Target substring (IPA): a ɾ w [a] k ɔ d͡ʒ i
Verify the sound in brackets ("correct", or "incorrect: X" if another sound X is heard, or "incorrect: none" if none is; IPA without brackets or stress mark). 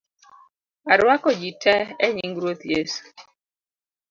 correct